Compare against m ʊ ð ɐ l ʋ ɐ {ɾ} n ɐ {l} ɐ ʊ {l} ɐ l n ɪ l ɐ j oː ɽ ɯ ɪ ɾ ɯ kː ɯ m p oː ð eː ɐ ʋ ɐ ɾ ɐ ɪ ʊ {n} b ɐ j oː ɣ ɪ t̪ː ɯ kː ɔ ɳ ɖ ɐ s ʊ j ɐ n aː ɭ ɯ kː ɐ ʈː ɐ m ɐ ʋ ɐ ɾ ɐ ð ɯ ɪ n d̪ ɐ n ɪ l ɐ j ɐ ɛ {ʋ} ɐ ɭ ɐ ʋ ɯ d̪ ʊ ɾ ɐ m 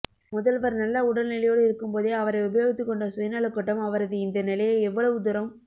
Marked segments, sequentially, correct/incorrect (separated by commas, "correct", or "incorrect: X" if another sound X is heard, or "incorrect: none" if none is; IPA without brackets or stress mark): correct, incorrect: lː, incorrect: ɽ, incorrect: none, incorrect: ʋː